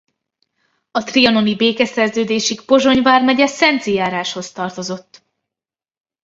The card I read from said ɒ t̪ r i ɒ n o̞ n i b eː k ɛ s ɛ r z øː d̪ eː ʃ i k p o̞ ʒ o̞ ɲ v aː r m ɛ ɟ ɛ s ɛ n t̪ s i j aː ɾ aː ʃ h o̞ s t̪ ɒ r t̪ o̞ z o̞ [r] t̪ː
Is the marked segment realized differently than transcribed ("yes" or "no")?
yes